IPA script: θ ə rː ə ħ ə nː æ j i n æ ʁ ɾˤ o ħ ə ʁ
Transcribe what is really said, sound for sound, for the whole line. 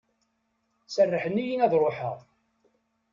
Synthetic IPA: s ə rː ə ħ ə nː i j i n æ ð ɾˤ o ħ ə ʁ

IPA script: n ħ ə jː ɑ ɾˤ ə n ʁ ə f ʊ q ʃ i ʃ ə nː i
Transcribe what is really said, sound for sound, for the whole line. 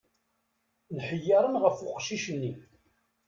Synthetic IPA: n ħ ə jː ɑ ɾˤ ə n ʁ ə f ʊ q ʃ i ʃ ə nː i

